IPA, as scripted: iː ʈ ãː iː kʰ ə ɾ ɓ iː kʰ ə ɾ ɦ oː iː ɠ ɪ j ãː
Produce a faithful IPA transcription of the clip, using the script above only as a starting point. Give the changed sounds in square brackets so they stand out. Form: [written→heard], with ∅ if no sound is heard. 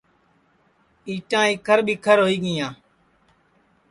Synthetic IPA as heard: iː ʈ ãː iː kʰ ə ɾ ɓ iː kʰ ə ɾ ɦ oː iː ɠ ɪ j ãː